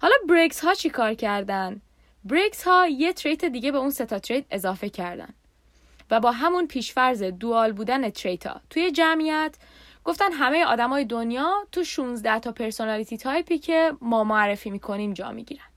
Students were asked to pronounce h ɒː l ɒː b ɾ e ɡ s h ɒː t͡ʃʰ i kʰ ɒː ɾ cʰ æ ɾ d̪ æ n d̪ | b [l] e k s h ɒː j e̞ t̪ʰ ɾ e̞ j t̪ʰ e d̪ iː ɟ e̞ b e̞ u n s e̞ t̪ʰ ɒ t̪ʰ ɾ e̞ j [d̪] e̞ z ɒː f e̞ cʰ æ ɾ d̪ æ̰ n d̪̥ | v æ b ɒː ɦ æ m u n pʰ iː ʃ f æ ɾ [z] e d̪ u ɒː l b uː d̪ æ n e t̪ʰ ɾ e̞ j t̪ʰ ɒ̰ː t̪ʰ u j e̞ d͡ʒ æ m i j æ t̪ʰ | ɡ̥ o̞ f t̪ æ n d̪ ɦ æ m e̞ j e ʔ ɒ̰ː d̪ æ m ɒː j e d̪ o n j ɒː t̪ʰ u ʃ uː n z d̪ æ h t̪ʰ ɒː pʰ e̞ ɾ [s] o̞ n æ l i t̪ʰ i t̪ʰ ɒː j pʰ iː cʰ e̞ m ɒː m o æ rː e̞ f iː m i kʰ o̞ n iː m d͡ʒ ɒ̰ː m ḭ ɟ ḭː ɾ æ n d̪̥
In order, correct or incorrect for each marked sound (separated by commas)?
incorrect, correct, correct, correct